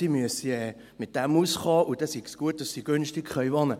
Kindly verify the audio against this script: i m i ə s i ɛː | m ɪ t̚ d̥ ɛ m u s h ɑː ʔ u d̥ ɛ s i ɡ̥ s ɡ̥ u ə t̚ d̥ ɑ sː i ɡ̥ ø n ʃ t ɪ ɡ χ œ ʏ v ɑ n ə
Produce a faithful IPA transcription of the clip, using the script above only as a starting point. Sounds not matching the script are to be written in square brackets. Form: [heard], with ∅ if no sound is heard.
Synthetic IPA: i m [y] ə s i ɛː | m ɪ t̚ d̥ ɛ m u s [χ] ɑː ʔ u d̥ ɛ s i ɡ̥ s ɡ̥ u ə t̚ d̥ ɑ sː i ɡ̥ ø n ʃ t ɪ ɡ χ œ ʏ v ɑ n ə